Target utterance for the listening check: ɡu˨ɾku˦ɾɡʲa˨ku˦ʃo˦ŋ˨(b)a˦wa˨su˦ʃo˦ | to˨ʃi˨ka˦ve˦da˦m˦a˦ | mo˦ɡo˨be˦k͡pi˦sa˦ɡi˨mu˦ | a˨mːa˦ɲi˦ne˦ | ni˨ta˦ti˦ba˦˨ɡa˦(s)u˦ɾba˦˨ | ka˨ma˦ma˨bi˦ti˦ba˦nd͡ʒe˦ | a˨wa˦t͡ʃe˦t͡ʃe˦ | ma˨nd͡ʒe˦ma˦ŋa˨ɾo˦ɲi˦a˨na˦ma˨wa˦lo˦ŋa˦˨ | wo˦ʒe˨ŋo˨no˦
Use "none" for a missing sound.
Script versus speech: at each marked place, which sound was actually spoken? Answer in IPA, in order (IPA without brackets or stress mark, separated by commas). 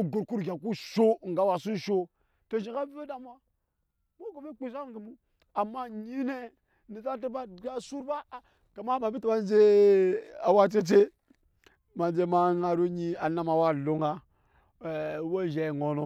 ɡ, s